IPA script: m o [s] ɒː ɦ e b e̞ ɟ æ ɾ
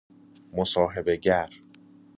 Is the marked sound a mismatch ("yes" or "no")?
no